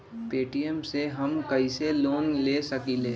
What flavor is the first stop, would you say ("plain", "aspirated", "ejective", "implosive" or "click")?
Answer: plain